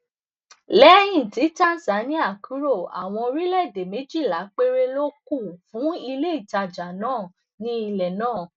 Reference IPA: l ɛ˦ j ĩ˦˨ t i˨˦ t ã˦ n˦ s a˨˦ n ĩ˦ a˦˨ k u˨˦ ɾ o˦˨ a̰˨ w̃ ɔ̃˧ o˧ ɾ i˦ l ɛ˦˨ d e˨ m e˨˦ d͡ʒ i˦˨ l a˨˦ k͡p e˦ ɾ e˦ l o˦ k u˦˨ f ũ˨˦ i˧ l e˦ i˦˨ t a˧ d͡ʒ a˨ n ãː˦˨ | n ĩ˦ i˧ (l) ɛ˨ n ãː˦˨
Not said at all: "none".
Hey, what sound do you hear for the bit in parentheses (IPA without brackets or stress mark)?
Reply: l